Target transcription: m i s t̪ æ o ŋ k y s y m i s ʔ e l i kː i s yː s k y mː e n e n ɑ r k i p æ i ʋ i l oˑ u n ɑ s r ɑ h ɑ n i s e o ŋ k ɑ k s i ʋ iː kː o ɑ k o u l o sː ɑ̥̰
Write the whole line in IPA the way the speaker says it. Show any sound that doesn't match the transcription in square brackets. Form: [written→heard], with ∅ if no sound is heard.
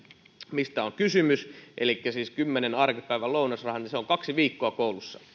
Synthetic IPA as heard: m i s t̪ æ o ŋ k y s y m [i→y] s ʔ e l i kː [i→æ] s [yː→iː] s k y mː e n e n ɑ r k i p æ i ʋ [i→æ] l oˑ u n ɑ s r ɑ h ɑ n i s e o ŋ k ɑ k s i ʋ iː kː o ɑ k o u l [o→u] sː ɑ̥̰